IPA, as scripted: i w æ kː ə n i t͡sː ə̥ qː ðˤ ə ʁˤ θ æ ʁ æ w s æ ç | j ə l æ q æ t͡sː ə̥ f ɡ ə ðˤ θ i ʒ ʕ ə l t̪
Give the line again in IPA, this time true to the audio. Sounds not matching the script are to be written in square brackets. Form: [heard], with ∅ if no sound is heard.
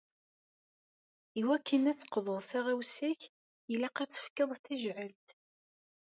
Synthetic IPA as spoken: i w æ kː ə n [æ] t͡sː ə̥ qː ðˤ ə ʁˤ θ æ ʁ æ w s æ ç | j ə l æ q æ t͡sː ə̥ f [k] ə ðˤ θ [æ] ʒ ʕ ə l t̪

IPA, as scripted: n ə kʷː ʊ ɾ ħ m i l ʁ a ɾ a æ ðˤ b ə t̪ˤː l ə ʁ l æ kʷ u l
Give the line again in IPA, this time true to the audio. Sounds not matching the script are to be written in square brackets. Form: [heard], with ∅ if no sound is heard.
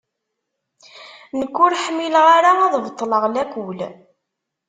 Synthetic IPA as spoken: n ə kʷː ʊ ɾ ħ m i l ʁ a ɾ a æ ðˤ [v] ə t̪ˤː l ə ʁ l æ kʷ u l

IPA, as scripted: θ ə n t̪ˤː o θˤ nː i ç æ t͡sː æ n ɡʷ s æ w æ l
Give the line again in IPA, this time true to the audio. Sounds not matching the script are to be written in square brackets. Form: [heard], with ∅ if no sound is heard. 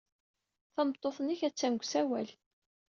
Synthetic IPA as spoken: θ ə [m] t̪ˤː o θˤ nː i ç æ t͡sː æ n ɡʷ s æ w æ l

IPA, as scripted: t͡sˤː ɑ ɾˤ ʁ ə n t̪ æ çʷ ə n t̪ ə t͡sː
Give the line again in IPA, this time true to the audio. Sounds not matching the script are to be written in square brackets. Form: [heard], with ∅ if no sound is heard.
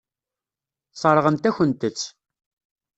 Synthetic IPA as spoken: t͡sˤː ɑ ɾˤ ʁ ə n t̪ æ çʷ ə n t̪ ə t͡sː

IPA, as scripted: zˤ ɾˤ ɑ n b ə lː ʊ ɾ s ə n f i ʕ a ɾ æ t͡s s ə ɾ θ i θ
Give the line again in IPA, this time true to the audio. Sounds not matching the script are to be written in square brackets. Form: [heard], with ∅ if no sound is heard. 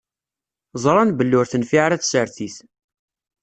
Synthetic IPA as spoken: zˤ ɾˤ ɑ n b ə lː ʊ ɾ [θ] ə n f i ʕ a ɾ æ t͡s s ə ɾ θ i θ

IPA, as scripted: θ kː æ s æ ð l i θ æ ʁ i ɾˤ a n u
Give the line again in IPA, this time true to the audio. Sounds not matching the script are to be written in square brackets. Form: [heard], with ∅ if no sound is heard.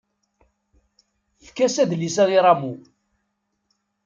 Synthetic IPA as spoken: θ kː æ s æ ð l i [s] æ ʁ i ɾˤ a [m] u

